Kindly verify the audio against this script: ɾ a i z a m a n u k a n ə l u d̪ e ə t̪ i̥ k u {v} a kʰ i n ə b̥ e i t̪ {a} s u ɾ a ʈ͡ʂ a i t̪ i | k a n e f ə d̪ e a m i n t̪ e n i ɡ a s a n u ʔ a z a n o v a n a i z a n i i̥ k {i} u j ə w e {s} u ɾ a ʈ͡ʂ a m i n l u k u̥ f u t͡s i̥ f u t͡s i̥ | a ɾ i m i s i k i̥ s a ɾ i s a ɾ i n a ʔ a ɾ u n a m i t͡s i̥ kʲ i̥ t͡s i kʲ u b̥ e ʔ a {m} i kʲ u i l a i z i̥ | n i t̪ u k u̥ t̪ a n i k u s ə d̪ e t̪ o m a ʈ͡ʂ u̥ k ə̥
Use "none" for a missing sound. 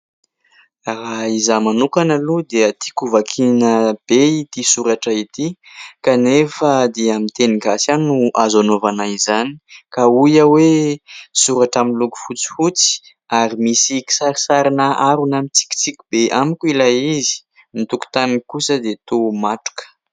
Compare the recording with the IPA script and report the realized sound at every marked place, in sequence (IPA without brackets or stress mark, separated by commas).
v, i, a, s, m